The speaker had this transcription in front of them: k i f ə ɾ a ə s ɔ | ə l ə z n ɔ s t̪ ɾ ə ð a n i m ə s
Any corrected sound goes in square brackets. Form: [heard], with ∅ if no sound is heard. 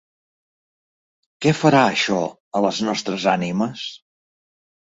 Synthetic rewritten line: k [ɛ] f ə ɾ a ə [ʃ] ɔ | ə l ə z n ɔ s t̪ ɾ ə [z] a n i m ə s